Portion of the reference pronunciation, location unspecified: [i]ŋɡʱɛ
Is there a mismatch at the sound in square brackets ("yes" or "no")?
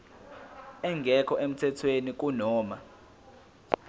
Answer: yes